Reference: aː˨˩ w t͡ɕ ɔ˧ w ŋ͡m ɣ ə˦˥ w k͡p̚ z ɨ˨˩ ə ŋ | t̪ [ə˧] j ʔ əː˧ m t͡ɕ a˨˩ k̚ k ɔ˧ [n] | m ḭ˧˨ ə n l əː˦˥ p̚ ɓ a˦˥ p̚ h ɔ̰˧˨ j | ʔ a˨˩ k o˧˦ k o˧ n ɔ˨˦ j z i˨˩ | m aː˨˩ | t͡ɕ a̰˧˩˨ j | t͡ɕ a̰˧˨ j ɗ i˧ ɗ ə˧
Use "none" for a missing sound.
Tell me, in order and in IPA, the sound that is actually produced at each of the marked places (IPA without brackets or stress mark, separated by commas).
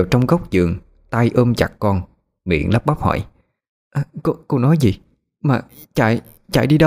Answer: a˧, n